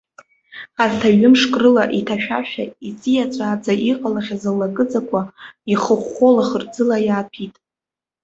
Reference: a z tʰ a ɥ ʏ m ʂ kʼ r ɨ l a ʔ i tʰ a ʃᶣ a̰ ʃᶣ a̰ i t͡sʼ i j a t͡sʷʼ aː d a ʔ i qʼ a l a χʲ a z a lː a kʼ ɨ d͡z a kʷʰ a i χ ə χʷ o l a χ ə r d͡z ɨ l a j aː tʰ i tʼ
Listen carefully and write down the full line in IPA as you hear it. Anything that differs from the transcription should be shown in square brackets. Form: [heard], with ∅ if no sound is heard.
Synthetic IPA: a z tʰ a ɥ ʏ m ʂ kʼ r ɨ l a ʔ i tʰ a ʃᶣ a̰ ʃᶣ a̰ i t͡sʼ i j a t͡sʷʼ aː [d͡z] a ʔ i qʼ a l a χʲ a z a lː a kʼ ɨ d͡z a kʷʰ a i χ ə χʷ o l a χ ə r d͡z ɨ l a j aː [pʰ] i tʼ